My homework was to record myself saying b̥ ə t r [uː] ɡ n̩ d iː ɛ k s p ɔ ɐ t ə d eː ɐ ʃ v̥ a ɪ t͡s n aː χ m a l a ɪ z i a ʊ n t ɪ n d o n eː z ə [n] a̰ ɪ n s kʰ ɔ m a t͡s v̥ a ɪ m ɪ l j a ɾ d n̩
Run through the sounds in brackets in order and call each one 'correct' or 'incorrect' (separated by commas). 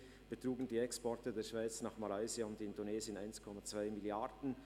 correct, correct